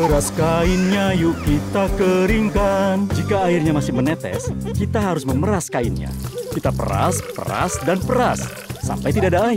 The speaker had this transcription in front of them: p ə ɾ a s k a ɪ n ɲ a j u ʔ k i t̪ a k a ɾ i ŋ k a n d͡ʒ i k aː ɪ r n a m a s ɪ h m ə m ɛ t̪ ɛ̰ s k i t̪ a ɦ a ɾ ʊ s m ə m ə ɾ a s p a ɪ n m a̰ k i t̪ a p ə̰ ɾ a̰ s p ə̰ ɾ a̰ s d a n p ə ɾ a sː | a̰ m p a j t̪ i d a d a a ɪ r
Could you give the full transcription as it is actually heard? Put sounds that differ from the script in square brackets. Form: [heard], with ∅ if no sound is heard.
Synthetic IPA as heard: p ə ɾ a s k a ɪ n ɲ a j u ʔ k i t̪ a k [ə] ɾ i ŋ k a n d͡ʒ i k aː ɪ r [ɲ] a m a s ɪ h m ə [n] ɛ t̪ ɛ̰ s k i t̪ a ɦ a ɾ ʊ s m ə m ə ɾ a s [k] a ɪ n [ɲ] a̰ k i t̪ a p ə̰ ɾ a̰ s p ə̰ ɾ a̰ s d a n p ə ɾ a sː | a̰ m p a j t̪ i d a d a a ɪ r

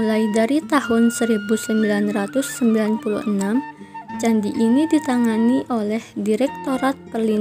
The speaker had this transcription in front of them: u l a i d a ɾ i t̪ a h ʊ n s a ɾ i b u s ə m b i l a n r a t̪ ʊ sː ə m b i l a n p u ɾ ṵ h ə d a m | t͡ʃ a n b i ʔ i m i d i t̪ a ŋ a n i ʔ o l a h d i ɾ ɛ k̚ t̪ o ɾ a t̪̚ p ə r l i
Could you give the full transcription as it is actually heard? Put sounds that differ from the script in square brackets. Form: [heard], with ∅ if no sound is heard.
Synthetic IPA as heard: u l a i d a ɾ i t̪ a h ʊ n s [ə] ɾ i b u s ə m b i l a n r a t̪ ʊ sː ə m b i l a n p u [l] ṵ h ə [n] a m | t͡ʃ a n [d] i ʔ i [n] i d i t̪ a ŋ a n i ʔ o l [ɛ] h d i ɾ ɛ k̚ t̪ o ɾ a t̪̚ p ə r l i

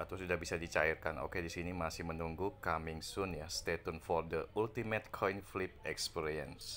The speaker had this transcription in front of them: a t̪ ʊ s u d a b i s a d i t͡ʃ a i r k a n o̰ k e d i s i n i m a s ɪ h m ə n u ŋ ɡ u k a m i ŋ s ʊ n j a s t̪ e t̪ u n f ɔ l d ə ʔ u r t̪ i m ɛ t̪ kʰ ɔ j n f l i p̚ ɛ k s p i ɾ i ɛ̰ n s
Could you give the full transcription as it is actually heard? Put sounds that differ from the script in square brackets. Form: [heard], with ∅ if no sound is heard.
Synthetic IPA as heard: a t̪ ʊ s u d a b i s a d i t͡ʃ a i r k a n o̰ k e d i s i n i m a s ɪ h m ə n u ŋ ɡ u k a m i ŋ s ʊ n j a s t̪ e t̪ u n f ɔ [r] d ə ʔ u [l] t̪ i m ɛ t̪ kʰ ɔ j n f l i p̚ ɛ k s p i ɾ i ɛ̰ n s

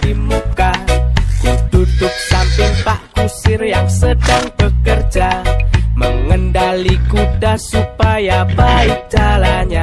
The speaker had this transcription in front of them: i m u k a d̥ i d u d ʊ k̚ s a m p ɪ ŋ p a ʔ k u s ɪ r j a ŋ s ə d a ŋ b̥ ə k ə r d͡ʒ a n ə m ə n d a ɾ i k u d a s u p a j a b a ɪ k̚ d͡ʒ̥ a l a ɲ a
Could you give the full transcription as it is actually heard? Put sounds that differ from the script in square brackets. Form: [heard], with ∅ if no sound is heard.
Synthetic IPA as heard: i m u k a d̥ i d u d ʊ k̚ s a m p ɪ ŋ p a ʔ k u s ɪ r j a ŋ s ə d a ŋ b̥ ə k ə r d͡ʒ a [m] ə [ŋ] ə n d a [l] i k u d a s u p a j a b a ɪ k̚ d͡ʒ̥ a l a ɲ a

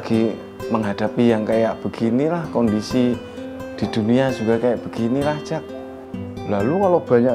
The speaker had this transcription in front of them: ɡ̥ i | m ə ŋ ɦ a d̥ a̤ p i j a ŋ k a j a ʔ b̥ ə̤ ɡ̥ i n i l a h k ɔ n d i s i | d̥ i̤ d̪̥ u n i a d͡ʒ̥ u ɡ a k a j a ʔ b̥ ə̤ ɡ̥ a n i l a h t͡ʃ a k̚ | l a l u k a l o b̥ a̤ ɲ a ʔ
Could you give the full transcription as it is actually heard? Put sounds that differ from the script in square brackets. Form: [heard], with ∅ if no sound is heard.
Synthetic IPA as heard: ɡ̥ i | m ə ŋ ɦ a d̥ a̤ p i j a ŋ k a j a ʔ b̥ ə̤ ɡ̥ i n i l a h k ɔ n d i s i | d̥ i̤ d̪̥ u n i a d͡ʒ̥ u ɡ a k a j a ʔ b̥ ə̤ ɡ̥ [i] n i l a h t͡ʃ a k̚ | l a l u k a l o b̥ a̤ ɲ a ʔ

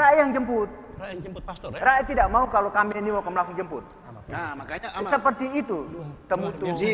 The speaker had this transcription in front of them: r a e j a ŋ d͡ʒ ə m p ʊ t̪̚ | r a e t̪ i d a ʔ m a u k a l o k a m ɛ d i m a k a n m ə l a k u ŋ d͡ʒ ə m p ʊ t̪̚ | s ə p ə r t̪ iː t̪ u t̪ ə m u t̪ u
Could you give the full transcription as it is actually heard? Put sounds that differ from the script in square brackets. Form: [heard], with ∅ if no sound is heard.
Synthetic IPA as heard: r a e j a ŋ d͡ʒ ə m p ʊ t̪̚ | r a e t̪ i d a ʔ m a u k a l o k a m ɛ [n] i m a k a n m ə l a k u ŋ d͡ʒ ə m p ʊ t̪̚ | s ə p ə r t̪ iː t̪ u t̪ ə m u t̪ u

